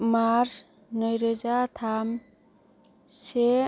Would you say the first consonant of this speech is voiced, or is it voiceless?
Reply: voiced